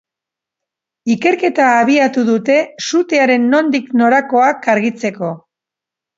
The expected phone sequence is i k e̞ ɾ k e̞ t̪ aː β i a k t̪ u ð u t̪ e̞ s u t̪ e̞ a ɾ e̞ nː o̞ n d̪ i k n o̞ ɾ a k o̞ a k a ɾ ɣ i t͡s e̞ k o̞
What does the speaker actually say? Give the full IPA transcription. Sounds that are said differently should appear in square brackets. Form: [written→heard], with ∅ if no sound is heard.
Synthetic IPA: i k e̞ ɾ k e̞ t̪ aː β i a [k→∅] t̪ u ð u t̪ e̞ s u t̪ e̞ a ɾ e̞ nː o̞ n d̪ i k n o̞ ɾ a k o̞ a k a ɾ ɣ i t͡s e̞ k o̞